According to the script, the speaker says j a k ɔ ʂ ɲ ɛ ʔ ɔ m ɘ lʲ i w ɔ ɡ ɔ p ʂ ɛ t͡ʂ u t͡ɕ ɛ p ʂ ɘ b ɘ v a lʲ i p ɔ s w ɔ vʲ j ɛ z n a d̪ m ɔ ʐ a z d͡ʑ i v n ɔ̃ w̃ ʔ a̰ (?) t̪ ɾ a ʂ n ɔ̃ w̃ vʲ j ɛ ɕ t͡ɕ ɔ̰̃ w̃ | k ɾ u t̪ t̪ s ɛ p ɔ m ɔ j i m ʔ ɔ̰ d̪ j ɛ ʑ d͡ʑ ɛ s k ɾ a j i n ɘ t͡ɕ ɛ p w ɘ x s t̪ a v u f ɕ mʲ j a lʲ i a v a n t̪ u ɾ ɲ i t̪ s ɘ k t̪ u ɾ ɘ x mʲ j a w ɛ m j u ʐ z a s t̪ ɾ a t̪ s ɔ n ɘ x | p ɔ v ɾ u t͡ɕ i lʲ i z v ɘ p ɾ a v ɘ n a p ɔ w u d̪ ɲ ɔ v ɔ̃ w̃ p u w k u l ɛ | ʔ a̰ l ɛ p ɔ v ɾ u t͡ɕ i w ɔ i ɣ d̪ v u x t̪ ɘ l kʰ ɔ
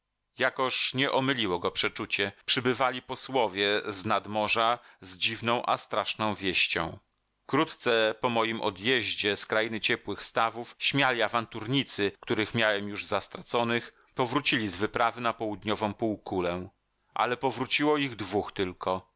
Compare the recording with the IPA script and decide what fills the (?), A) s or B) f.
A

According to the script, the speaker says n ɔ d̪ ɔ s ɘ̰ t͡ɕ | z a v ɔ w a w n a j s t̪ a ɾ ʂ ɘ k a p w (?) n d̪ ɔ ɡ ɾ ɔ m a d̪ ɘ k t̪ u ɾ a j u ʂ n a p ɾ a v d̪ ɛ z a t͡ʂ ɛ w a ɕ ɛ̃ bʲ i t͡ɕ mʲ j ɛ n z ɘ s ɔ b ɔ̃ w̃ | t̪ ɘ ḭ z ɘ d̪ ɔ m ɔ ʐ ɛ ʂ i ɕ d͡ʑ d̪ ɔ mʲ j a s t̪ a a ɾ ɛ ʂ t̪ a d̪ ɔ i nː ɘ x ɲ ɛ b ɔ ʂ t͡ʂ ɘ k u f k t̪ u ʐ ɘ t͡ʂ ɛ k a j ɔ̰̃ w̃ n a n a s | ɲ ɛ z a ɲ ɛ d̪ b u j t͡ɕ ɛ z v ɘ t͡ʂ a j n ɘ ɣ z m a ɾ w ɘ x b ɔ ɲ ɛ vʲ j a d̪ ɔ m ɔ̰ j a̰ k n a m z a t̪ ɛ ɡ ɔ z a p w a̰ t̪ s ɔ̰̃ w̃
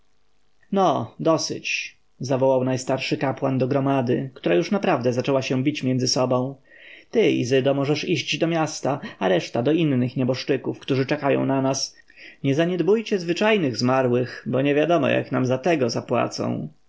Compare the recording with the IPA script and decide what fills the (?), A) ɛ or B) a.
B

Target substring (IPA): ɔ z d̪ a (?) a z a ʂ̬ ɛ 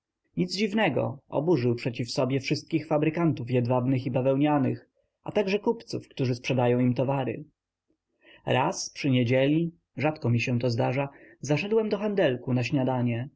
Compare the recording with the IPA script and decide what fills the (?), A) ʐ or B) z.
A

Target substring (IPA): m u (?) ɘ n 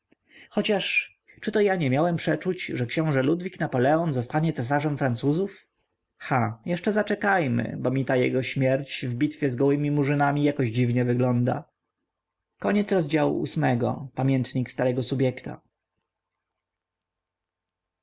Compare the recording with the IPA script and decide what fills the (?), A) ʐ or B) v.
A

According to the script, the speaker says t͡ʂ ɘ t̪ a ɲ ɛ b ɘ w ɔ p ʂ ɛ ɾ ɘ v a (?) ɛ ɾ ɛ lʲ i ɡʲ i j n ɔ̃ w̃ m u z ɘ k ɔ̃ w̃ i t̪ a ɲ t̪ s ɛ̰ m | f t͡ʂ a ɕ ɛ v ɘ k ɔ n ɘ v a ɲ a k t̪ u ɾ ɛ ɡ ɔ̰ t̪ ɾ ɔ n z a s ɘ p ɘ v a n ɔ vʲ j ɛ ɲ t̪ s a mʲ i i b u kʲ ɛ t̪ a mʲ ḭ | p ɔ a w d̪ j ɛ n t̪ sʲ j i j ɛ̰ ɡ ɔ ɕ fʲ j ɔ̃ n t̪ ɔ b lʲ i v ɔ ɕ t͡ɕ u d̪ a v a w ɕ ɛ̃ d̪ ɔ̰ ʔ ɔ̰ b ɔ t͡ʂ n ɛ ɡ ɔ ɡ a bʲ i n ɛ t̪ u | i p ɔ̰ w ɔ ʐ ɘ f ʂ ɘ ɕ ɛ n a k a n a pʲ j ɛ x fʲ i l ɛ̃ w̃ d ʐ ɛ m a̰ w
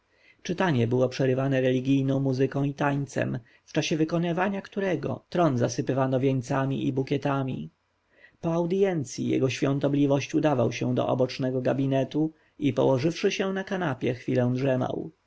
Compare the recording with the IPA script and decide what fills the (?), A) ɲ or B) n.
B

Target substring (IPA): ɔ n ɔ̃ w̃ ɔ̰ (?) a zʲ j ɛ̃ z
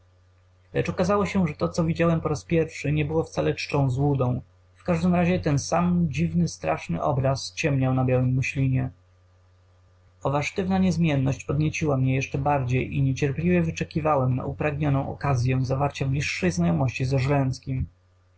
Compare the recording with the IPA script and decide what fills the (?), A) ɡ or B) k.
B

